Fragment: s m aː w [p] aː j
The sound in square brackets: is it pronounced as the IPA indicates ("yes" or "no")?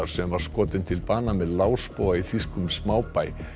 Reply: yes